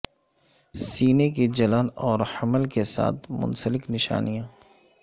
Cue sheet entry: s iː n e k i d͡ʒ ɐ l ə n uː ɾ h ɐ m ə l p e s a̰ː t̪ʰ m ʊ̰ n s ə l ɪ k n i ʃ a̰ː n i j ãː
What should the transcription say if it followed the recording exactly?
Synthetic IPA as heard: s iː n e k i d͡ʒ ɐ l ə n ɔː ɾ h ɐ m ə l k e s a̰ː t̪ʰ m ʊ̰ n s ə l ɪ k n ɪ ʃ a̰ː n i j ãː